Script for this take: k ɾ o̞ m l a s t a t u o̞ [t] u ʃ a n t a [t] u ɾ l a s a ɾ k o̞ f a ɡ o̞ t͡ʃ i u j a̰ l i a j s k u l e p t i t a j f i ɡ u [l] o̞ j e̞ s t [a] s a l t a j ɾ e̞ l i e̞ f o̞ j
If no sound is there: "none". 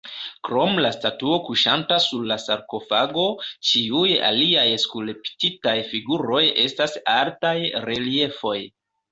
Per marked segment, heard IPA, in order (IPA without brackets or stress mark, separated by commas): k, s, ɾ, a